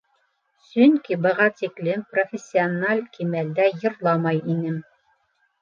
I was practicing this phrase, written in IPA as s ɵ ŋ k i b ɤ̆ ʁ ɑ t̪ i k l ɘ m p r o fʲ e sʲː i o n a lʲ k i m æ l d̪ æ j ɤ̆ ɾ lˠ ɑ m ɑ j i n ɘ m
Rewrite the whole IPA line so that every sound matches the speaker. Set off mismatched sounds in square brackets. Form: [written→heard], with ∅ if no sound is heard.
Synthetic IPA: s ɵ ŋ k i b ɤ̆ ʁ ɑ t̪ i k l ɘ m p r o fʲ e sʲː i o n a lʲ k i m æ l d̪ æ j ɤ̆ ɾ lˠ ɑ m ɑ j i n ɘ m